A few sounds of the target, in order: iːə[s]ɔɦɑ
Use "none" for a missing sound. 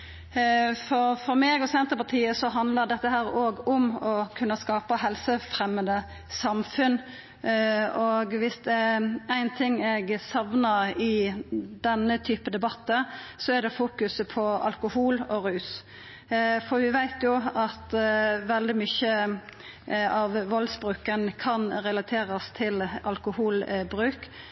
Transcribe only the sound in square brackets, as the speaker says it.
s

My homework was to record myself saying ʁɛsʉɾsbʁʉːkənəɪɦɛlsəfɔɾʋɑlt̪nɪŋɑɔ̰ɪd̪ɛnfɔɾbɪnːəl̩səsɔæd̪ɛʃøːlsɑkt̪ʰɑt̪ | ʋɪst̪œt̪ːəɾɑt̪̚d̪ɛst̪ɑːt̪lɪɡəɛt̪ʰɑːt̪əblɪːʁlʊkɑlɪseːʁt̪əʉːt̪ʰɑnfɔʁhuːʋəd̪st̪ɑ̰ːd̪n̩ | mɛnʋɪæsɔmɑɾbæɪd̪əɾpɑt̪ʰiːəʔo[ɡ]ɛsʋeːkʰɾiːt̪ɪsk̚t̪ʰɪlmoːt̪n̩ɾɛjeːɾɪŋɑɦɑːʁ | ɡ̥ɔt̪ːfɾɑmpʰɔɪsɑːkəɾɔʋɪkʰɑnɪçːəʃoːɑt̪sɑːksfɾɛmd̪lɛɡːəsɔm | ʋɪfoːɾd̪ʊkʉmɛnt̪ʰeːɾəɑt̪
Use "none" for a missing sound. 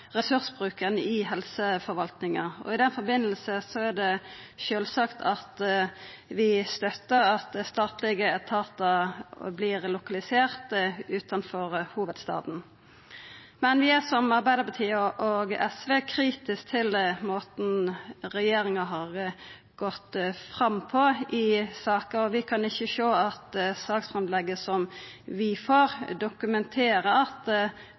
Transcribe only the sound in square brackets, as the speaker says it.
ɡ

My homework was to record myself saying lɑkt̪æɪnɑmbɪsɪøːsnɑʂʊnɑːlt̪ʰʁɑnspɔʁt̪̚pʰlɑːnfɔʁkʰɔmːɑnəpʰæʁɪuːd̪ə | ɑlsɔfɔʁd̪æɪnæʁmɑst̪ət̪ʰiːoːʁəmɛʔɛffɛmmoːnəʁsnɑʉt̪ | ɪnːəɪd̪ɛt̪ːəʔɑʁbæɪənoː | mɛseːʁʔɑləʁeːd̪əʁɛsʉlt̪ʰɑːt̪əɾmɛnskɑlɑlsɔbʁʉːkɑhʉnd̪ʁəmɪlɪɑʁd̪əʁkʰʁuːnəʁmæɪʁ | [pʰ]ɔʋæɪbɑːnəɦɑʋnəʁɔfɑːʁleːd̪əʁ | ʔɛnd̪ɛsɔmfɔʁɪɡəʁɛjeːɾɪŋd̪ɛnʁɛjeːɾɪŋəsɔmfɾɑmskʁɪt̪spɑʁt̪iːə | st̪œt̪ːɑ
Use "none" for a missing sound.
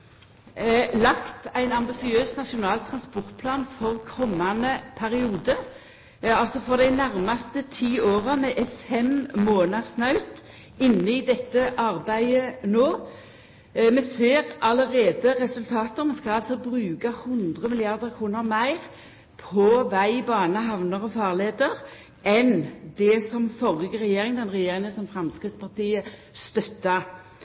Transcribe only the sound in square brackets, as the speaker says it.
pʰ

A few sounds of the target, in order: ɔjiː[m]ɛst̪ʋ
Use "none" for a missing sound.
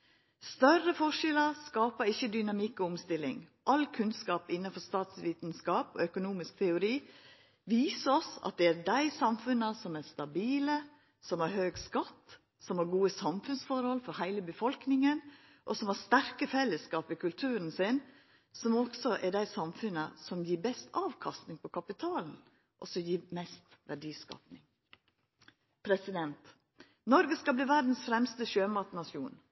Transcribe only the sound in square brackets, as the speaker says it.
m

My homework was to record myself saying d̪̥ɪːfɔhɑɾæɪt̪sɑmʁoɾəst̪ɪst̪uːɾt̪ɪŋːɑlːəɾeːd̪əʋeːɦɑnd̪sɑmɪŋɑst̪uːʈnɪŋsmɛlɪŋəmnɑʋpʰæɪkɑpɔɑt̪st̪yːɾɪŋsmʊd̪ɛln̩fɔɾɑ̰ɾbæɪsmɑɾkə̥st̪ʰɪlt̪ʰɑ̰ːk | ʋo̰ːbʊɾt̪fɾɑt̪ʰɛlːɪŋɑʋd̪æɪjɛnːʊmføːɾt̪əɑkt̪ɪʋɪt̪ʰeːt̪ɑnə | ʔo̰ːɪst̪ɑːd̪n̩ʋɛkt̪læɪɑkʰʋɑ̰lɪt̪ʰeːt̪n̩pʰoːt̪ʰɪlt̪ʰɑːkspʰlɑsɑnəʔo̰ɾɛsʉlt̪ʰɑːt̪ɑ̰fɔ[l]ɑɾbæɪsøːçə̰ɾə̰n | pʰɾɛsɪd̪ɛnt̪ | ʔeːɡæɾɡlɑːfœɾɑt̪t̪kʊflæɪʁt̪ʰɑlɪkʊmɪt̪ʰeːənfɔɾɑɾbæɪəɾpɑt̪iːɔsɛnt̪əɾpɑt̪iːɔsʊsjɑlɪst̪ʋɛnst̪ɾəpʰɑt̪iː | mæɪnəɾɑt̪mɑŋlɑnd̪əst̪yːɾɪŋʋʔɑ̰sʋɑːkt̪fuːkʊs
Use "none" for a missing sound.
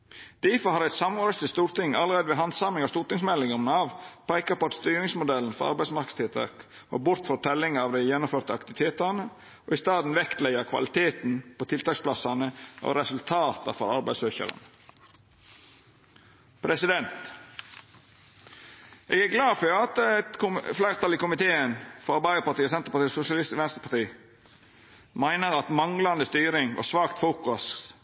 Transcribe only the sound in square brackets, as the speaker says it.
ɾ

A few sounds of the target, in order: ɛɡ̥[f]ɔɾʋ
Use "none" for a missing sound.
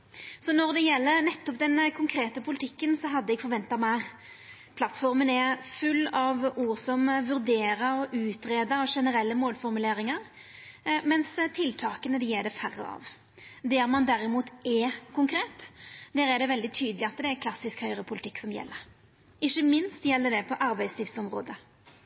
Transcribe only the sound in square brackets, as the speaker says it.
f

